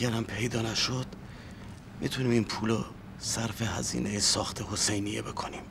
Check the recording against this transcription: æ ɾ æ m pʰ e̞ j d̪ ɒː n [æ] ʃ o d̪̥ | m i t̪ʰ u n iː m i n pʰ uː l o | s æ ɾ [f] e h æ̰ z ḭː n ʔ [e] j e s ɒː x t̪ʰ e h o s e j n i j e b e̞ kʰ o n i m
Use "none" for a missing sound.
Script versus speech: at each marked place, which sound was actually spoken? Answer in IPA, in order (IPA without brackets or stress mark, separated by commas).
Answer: æ, f, e